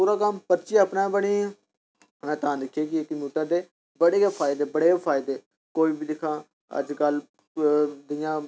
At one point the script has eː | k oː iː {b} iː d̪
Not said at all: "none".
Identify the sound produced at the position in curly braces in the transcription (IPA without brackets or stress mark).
b